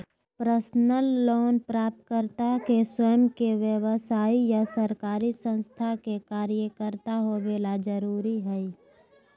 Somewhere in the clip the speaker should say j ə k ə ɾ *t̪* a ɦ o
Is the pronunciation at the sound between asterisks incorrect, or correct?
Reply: correct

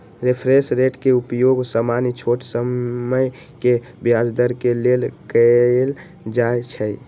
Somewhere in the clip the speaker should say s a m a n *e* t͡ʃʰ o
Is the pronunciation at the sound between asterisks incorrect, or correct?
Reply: incorrect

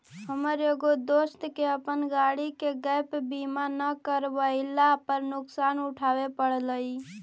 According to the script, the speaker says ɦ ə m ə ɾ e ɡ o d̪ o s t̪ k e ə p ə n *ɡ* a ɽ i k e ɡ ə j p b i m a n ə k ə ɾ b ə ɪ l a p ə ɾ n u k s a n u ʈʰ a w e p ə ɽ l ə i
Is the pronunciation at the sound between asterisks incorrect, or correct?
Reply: correct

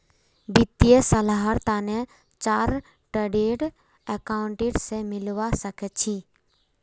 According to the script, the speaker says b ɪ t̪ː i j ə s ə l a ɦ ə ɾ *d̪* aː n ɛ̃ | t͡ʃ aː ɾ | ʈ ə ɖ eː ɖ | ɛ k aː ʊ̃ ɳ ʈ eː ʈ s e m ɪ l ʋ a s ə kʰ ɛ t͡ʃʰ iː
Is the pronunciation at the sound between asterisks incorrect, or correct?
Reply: incorrect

